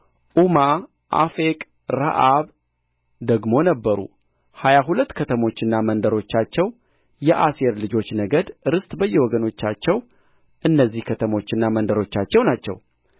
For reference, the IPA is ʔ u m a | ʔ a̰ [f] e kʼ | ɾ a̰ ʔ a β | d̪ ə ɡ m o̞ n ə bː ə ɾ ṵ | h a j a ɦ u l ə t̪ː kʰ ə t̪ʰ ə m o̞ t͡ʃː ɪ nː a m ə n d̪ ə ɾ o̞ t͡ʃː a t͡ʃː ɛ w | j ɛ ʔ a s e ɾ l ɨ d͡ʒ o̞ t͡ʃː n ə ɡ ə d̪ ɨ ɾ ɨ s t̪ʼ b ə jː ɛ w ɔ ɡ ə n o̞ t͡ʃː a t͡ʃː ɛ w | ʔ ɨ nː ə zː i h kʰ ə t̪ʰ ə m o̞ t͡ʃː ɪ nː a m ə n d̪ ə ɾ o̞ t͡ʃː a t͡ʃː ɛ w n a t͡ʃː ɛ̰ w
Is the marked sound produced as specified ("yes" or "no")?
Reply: yes